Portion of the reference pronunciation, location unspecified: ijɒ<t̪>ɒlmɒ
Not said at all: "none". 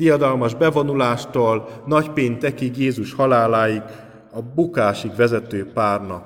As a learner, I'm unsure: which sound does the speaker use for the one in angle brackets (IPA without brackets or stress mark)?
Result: d̪